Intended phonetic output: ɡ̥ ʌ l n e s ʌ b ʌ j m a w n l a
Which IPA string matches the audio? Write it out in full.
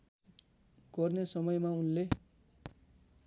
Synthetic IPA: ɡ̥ ʌ r n e s ʌ m ʌ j m a u n l e